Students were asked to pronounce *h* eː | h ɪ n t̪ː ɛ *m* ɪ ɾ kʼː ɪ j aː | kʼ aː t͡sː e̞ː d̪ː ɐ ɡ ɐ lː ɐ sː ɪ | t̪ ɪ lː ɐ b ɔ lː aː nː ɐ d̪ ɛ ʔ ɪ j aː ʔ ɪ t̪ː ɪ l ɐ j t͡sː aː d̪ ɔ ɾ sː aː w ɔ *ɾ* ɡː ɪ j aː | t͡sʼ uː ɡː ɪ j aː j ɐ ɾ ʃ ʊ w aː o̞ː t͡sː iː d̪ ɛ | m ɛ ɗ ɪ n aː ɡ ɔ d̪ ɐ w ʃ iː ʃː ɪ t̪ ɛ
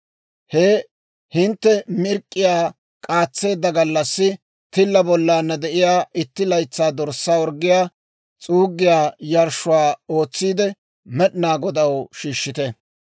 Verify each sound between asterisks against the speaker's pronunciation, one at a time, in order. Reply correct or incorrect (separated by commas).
correct, correct, correct